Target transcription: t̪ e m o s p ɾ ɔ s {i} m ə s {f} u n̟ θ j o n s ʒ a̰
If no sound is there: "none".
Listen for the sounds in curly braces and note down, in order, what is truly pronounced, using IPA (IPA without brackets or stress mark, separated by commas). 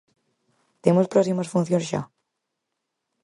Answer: i, f